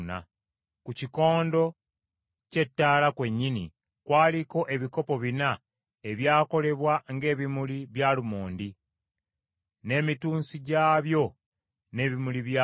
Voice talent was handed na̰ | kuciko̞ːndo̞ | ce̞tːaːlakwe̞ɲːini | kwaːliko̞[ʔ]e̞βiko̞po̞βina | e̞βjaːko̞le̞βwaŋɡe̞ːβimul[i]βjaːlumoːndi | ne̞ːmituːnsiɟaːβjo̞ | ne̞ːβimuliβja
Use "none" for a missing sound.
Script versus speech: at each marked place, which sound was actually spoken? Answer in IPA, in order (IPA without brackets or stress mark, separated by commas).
ʔ, i